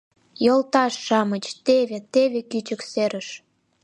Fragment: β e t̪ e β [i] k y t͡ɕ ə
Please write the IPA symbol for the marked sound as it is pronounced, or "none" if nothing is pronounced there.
e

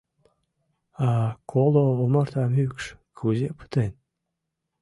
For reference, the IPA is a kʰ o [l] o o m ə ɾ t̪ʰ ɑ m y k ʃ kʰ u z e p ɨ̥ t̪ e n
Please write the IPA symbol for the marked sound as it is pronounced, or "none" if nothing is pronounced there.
l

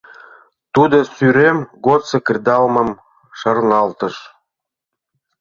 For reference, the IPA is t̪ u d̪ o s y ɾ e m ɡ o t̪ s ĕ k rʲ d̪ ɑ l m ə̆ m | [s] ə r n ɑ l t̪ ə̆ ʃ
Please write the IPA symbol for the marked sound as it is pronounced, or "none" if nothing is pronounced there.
ʃ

